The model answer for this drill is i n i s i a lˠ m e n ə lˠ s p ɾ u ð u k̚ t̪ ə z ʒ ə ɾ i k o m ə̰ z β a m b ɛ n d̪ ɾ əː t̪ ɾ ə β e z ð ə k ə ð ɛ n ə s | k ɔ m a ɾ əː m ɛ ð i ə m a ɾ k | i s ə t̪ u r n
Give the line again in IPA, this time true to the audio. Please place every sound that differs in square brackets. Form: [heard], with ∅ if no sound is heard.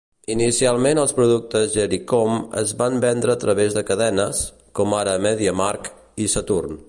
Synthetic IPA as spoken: i n i s i a lˠ m e n ə lˠ s p ɾ u ð u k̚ t̪ ə z ʒ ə ɾ i k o m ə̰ z β a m b ɛ n d̪ ɾ əː t̪ ɾ ə β e z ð ə k ə ð ɛ n ə s | k ɔ m a ɾ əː m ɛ ð i ə m a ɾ k | i s ə t̪ u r n